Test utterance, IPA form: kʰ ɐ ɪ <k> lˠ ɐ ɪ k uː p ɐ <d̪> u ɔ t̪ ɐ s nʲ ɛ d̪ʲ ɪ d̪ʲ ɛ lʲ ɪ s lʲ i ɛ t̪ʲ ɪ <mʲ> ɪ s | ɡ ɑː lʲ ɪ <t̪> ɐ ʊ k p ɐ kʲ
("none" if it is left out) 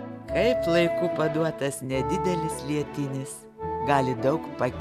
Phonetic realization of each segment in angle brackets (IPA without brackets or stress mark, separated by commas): p, d̪, nʲ, d̪